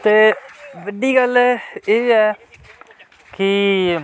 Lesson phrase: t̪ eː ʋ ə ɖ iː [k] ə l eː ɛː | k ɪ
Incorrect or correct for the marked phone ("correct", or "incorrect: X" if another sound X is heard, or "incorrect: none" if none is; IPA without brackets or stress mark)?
incorrect: ɡ